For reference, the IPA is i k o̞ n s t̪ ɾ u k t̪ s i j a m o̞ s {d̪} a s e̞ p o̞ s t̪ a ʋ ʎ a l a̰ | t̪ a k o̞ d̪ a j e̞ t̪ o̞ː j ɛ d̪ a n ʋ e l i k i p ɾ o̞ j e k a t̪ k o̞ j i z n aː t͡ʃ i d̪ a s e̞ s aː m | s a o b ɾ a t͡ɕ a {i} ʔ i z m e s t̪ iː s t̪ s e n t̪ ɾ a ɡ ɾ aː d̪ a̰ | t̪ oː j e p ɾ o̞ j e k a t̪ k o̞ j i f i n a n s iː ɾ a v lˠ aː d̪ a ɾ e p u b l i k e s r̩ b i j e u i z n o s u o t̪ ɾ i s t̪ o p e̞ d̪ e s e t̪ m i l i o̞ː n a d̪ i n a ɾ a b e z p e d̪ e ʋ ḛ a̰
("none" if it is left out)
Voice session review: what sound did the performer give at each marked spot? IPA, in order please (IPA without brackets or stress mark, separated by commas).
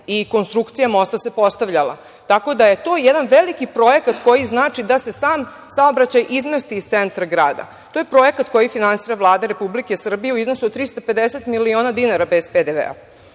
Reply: t̪, j